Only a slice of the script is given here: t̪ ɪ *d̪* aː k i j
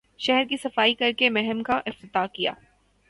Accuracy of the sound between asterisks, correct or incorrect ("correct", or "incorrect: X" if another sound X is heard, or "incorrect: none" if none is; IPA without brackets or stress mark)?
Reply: incorrect: t̪